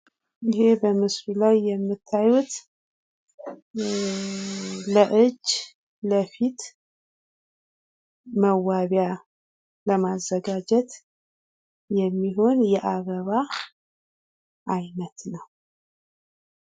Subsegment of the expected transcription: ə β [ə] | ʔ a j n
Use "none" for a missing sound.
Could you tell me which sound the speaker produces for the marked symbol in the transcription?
a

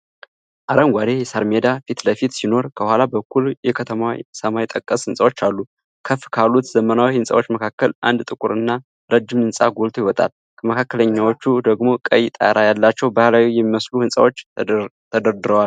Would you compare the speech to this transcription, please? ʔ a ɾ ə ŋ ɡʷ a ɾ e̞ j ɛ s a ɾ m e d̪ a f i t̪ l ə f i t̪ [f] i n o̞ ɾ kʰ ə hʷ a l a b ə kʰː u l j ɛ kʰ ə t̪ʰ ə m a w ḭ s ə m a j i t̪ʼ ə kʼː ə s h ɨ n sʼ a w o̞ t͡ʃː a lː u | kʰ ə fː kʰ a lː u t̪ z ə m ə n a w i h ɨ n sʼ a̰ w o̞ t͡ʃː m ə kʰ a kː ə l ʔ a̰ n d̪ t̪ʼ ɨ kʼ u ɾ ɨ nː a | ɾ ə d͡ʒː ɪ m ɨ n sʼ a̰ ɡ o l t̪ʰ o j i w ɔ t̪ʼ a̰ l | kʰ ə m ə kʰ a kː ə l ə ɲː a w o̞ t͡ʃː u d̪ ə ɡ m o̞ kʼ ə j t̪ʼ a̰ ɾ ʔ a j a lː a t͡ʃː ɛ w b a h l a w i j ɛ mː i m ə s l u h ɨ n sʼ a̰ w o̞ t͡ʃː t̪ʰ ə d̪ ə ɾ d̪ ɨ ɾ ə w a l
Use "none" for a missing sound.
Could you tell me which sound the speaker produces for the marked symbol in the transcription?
s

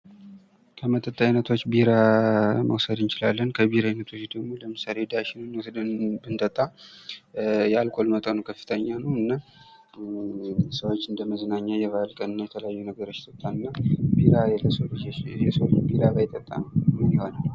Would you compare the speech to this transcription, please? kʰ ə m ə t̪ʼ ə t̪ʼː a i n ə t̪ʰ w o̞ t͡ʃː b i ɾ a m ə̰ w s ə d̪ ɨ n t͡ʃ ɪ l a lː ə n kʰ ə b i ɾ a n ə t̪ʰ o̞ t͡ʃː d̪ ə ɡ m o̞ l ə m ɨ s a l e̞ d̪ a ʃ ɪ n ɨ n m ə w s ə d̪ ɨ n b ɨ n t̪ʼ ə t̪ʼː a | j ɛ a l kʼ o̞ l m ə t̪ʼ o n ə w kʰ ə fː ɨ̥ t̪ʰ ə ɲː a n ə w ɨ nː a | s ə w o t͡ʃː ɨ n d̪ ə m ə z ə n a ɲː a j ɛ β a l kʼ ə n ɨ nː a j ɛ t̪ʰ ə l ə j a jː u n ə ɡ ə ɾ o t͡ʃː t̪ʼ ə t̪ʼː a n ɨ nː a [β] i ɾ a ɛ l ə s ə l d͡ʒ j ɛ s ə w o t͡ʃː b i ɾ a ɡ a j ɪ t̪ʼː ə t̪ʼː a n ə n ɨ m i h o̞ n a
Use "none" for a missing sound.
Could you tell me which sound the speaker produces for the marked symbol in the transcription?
b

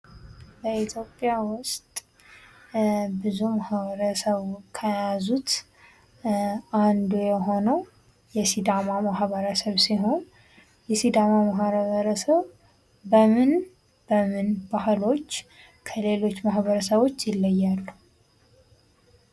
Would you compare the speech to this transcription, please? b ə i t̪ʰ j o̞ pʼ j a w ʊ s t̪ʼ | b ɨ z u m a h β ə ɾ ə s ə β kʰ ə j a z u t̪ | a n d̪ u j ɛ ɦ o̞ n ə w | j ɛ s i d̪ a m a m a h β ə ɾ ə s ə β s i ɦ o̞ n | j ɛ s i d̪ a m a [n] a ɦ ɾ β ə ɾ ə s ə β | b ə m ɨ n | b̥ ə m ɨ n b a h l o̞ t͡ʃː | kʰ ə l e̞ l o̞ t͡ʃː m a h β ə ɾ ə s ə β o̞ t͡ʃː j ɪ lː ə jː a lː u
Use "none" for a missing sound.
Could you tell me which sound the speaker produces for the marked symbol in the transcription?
m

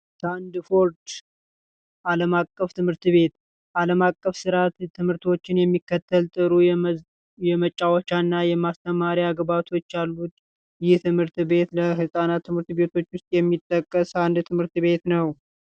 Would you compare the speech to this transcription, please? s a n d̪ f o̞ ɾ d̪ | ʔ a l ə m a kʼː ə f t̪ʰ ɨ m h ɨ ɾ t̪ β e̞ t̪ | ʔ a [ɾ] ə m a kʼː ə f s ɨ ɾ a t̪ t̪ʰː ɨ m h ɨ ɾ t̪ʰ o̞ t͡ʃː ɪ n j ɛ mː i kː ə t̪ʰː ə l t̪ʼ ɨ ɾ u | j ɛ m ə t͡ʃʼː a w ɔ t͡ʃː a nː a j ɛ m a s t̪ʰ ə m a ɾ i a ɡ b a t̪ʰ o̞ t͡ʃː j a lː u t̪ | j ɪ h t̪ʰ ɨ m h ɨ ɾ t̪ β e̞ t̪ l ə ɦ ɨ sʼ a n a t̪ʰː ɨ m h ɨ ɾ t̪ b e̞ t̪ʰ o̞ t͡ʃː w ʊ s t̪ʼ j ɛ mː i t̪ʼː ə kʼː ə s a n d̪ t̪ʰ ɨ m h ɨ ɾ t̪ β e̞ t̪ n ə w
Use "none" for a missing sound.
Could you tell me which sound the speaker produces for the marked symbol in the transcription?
l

